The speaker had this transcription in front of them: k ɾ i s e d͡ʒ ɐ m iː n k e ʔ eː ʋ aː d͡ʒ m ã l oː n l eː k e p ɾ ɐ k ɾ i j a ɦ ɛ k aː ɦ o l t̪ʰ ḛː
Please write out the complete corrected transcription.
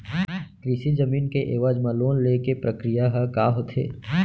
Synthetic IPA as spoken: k ɾ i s i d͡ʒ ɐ m iː n k e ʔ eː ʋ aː d͡ʒ m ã l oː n l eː k e p ɾ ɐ k ɾ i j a ɦ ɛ k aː ɦ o t̪ʰ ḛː

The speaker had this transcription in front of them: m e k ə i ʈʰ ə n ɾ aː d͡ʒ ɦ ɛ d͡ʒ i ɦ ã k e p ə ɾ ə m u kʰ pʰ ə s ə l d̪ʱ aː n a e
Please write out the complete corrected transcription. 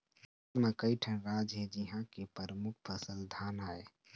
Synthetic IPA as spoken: m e k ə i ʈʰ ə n ɾ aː d͡ʒ ɦ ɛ d͡ʒ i ɦ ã k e p ə ɾ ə m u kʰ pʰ ə s ə l d̪ʱ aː n a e

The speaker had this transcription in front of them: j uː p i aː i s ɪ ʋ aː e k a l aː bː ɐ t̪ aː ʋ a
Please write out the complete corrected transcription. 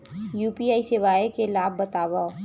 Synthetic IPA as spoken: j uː p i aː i s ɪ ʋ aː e k e l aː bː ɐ t̪ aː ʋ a

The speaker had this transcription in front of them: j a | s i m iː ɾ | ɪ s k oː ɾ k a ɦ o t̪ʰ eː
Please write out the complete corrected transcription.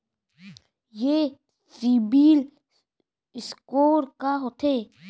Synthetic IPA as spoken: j e | s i b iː l | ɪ s k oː ɾ k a ɦ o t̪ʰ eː

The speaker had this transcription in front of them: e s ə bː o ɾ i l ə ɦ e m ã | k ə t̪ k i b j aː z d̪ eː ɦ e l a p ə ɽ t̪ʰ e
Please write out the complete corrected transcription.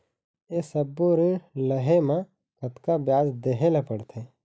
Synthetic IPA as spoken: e s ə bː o ɾ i l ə ɦ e m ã | k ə t̪ k a b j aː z d̪ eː ɦ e l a p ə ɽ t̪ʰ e

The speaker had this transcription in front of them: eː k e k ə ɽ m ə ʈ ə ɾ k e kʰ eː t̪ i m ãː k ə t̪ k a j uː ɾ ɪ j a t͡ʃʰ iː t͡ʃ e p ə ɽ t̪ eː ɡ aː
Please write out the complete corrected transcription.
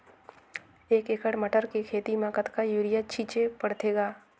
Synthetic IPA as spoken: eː k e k ə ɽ m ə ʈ ə ɾ k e kʰ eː t̪ i m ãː k ə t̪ k a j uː ɾ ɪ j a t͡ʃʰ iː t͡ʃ e p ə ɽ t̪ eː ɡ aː

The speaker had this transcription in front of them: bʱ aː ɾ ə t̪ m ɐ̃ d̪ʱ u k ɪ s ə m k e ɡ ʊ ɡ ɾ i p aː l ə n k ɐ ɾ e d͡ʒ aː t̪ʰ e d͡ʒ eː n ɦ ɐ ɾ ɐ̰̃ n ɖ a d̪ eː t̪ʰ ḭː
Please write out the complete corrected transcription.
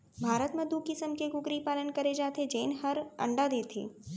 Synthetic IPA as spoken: bʱ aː ɾ ə t̪ m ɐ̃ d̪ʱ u k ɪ s ə m k e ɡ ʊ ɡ ɾ i p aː l ə n k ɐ ɾ e d͡ʒ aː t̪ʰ e d͡ʒ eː n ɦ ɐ ɾ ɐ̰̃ ɳ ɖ a d̪ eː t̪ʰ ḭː

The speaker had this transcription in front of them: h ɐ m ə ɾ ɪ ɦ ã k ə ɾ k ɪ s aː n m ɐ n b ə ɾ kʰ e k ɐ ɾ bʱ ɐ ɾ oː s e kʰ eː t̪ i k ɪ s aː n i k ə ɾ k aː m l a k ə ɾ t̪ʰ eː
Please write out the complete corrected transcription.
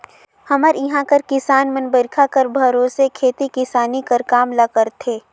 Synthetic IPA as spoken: h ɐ m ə ɾ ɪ ɦ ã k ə ɾ k ɪ s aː n m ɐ n b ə ɾ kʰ a k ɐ ɾ bʱ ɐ ɾ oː s e kʰ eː t̪ i k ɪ s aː n i k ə ɾ k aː m l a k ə ɾ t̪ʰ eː

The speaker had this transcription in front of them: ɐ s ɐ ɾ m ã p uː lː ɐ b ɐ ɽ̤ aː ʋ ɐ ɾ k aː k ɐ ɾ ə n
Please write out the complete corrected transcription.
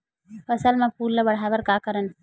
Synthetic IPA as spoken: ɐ s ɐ l m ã p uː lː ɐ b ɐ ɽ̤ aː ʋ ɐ ɾ k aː k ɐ ɾ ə n

